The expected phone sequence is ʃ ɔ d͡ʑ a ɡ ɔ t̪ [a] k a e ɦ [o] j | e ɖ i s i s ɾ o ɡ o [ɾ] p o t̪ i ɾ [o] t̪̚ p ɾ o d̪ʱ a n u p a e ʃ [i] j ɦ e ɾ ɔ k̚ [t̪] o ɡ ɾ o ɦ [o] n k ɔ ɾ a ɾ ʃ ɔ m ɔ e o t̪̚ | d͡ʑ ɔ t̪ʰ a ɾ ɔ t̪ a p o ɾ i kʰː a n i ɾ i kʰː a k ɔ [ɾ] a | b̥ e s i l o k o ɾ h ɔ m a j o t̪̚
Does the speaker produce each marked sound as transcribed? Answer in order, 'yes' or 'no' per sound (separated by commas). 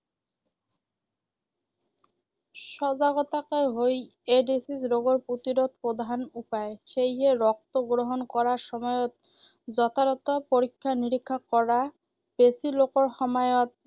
yes, yes, yes, yes, no, yes, yes, yes